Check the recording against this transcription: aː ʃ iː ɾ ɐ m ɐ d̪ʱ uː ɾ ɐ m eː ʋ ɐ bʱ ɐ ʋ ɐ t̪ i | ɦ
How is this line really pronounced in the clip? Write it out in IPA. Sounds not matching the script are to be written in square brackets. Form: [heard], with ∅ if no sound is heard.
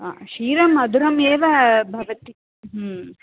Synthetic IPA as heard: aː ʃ iː ɾ ɐ m ɐ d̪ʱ [u] ɾ ɐ m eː ʋ ɐ bʱ ɐ ʋ ɐ t̪ i | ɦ